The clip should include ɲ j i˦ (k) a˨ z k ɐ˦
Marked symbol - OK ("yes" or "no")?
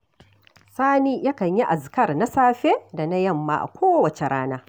no